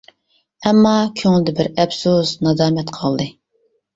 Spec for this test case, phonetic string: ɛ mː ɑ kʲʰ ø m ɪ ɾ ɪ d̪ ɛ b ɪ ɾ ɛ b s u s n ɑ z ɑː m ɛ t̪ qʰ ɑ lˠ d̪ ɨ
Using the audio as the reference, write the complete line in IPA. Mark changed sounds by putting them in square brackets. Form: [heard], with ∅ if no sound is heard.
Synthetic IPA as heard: ɛ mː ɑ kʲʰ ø [ŋ] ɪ [l] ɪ d̪ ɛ b ɪ ɾ ɛ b s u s n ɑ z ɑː m ɛ t̪ qʰ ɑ lˠ d̪ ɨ